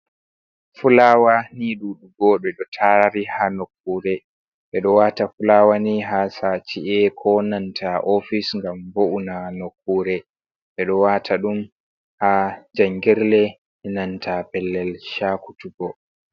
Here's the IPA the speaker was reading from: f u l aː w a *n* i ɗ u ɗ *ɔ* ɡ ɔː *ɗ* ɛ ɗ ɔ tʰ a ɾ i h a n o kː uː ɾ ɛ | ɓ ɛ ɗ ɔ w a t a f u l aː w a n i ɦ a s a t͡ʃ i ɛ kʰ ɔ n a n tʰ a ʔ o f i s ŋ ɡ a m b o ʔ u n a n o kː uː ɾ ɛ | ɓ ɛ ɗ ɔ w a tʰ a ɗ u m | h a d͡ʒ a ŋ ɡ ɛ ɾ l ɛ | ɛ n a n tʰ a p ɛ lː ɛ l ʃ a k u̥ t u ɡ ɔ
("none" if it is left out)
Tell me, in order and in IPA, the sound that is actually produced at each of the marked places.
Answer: n, u, ɗ

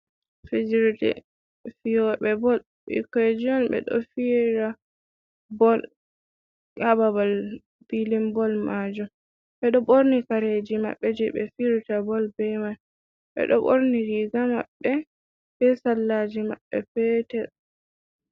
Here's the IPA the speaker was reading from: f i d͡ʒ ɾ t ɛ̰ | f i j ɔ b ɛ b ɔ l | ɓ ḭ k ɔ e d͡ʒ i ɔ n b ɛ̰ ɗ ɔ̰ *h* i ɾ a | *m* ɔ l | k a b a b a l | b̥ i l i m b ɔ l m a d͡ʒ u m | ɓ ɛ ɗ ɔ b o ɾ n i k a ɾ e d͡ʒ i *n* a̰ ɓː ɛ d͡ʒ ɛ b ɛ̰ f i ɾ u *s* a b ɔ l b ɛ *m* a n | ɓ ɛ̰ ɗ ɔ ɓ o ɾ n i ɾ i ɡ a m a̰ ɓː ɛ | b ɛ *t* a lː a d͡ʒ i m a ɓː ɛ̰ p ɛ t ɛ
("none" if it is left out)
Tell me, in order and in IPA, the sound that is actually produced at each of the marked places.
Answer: f, b, m, t, m, s

